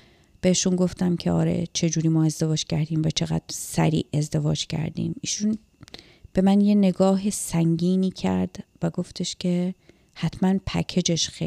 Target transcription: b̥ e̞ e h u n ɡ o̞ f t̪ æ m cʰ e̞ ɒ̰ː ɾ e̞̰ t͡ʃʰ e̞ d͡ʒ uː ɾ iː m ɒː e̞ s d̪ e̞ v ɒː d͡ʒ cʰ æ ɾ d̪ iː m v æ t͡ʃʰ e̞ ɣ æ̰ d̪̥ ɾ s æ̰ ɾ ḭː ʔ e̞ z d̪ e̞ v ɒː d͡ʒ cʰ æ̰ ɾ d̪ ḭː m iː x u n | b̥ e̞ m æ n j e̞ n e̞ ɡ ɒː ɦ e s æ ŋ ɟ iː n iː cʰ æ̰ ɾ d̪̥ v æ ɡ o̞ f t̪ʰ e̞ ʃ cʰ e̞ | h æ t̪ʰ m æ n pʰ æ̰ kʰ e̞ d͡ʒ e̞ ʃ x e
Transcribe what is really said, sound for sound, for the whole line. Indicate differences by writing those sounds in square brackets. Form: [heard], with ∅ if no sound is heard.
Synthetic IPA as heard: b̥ e̞ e [ʃ] u n ɡ o̞ f t̪ æ m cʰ e̞ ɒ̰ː ɾ e̞̰ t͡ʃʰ e̞ d͡ʒ uː ɾ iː m ɒː e̞ [z] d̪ e̞ v ɒː d͡ʒ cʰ æ ɾ d̪ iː m v æ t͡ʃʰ e̞ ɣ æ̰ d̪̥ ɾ s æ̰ ɾ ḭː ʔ e̞ z d̪ e̞ v ɒː d͡ʒ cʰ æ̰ ɾ d̪ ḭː m iː [ʃ] u n | b̥ e̞ m æ n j e̞ n e̞ ɡ ɒː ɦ e s æ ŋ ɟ iː n iː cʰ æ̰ ɾ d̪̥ v æ ɡ o̞ f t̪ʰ e̞ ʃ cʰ e̞ | h æ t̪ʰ m æ n pʰ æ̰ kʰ e̞ d͡ʒ e̞ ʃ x e